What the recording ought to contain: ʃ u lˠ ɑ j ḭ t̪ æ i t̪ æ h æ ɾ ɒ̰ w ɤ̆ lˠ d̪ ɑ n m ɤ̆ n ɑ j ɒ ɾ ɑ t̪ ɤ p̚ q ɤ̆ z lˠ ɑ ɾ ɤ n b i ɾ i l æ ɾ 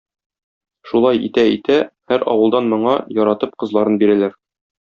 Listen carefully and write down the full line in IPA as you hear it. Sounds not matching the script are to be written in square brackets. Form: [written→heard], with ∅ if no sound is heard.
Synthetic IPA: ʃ u lˠ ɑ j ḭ t̪ æ i t̪ æ h æ ɾ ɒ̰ w ɤ̆ lˠ d̪ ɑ n m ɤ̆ [n→ɴ] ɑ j ɒ ɾ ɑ t̪ ɤ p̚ q ɤ̆ z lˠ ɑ ɾ ɤ n b i ɾ [i→æ] l æ ɾ